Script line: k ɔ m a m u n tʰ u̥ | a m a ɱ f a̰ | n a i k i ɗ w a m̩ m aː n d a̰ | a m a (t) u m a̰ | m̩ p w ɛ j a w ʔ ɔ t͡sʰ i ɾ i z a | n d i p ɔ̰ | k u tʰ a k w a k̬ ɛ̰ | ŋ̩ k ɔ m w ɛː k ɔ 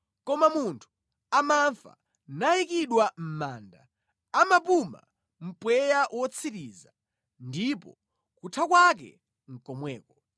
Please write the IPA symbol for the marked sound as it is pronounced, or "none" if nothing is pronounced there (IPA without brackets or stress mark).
p